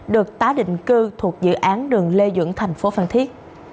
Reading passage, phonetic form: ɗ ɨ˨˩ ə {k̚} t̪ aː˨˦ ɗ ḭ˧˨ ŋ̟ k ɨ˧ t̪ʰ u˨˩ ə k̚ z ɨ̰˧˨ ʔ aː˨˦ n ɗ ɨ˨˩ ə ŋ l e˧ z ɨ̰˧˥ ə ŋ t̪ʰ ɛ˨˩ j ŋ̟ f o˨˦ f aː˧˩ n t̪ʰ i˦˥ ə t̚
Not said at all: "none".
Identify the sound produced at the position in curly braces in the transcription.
k̚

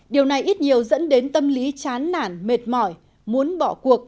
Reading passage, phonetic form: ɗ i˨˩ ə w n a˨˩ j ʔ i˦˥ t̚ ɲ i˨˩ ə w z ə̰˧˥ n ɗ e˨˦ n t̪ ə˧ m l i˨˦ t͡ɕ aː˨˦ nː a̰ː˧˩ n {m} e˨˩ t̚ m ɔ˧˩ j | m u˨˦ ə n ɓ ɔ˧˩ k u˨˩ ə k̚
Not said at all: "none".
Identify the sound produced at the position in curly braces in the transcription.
m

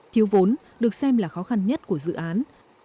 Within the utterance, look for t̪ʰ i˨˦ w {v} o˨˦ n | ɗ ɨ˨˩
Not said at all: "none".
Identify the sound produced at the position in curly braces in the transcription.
v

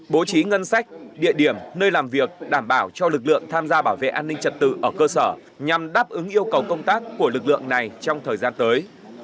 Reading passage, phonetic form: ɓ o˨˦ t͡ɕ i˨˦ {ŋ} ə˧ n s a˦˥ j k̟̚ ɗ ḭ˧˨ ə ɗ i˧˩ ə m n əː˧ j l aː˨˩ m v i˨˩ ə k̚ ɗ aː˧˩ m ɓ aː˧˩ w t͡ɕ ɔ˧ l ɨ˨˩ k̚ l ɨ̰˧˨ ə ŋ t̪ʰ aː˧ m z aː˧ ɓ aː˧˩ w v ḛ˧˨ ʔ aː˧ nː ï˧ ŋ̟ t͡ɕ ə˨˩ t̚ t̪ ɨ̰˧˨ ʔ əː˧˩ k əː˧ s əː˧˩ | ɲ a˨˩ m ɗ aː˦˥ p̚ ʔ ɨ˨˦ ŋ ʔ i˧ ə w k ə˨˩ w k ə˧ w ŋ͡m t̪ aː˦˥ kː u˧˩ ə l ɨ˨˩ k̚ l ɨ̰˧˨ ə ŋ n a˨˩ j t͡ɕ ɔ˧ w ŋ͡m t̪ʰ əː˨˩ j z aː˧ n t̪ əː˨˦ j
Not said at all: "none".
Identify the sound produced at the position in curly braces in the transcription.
ŋ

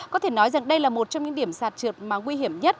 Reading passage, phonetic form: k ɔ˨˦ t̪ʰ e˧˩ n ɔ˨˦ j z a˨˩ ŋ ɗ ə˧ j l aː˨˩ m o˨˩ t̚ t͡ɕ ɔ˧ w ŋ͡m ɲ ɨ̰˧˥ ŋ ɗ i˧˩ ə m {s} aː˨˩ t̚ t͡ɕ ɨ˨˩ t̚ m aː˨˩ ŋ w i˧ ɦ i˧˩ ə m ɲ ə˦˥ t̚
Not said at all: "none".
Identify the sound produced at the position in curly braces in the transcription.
s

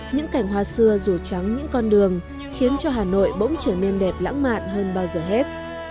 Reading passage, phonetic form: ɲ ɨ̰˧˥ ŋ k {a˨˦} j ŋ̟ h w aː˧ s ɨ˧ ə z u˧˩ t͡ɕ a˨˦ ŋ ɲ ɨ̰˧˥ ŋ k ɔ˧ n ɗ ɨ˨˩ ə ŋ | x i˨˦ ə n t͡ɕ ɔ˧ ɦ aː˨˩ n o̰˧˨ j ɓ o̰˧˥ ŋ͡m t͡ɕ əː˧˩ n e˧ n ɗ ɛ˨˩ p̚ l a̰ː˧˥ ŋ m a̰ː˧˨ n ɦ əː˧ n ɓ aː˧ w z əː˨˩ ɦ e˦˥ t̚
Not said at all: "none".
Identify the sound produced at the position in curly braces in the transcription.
a˧˩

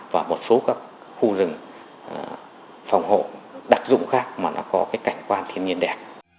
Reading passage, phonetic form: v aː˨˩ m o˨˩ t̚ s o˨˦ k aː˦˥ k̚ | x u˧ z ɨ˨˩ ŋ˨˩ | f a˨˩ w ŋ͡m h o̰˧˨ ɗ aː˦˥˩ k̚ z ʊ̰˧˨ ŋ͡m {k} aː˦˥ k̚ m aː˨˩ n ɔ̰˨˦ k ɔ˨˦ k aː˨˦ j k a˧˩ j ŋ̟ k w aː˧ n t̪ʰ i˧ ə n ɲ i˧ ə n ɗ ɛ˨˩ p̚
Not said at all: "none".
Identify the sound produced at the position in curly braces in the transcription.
x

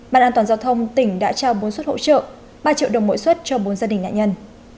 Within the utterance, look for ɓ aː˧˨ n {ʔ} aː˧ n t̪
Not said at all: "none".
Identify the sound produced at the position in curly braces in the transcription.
ʔ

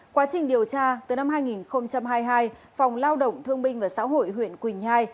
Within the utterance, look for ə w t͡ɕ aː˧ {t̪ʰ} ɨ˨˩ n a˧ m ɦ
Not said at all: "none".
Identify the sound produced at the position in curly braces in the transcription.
t̪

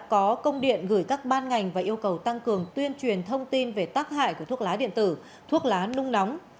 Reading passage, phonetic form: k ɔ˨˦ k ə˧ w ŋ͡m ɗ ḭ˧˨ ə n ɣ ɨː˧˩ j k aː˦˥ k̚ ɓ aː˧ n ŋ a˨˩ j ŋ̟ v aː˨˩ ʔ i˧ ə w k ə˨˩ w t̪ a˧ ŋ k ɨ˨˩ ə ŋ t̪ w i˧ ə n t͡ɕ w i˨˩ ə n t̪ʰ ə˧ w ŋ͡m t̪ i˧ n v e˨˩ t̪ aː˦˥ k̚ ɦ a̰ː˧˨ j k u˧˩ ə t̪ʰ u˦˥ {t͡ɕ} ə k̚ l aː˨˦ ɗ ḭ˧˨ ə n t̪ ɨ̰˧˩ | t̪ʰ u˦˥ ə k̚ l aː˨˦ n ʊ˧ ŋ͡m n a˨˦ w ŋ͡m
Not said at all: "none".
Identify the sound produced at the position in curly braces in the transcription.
none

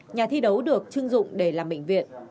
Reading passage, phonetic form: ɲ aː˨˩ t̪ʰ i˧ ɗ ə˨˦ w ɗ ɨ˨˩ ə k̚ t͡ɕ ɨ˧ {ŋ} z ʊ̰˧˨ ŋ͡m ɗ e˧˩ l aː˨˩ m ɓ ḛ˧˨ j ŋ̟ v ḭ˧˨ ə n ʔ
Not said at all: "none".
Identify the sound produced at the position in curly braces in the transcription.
ŋ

